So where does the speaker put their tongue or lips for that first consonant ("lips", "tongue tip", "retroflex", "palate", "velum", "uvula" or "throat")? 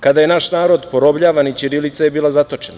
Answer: velum